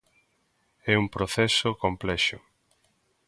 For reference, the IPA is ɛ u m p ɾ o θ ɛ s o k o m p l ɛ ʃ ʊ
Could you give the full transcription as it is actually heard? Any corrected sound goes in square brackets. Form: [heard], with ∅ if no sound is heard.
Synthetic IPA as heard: ɛ u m p ɾ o θ ɛ s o k o m p l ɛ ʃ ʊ